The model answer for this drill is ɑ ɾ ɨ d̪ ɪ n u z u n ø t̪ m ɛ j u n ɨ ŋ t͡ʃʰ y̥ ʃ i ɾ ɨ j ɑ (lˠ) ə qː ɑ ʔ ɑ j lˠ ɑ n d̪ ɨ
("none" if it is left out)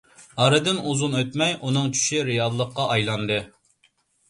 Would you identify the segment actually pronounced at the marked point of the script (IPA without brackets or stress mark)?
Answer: lˠː